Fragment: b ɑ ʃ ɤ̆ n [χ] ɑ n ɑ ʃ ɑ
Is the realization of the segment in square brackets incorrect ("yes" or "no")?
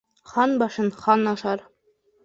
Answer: no